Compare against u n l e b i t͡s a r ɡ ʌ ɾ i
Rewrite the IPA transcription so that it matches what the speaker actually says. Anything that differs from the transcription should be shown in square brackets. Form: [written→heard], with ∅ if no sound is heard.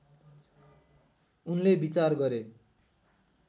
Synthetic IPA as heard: u n l e b i t͡s a r ɡ ʌ ɾ [i→e]

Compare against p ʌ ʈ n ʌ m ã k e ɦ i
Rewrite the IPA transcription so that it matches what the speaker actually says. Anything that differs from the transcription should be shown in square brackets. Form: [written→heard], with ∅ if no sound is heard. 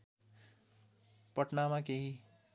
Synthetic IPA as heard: p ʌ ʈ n [ʌ→a] m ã k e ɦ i

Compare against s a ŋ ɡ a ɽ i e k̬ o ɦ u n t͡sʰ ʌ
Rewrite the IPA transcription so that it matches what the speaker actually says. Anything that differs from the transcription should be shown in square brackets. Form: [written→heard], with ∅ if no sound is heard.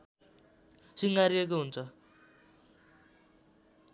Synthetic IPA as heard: s [a→i] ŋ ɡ a [ɽ→ɾ] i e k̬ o ɦ u n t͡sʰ ʌ

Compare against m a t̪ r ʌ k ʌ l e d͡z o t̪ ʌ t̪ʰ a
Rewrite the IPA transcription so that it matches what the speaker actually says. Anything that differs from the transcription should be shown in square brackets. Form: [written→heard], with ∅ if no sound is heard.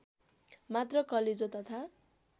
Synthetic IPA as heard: m a t̪ r ʌ k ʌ l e d͡z o t̪ ʌ t̪ʰ a

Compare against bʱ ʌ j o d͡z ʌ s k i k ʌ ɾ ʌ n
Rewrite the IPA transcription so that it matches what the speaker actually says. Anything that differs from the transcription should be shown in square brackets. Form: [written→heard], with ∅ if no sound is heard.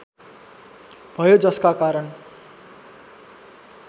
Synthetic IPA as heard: bʱ ʌ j o d͡z ʌ s k [i→a] k [ʌ→a] ɾ ʌ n

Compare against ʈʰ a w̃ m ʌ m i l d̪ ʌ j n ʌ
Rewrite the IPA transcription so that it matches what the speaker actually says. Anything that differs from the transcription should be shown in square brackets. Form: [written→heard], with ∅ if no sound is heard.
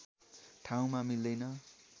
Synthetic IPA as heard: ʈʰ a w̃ m [ʌ→a] m i l d̪ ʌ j n ʌ

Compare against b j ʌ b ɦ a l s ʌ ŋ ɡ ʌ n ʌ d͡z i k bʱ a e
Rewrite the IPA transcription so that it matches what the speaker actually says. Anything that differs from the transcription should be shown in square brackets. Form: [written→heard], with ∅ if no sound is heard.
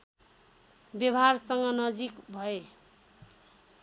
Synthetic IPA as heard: b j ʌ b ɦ a [l→r] s ʌ ŋ ɡ ʌ n ʌ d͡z i k bʱ [a→ʌ] e

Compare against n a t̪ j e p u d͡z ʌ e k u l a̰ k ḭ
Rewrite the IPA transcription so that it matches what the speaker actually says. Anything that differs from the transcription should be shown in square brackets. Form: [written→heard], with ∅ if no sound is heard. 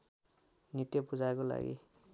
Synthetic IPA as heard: n [a→i] t̪ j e p u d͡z [ʌ→a] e k [u→o] l a̰ [k→ɡ] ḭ

